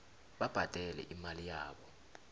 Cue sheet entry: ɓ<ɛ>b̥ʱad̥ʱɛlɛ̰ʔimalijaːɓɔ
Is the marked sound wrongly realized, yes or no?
yes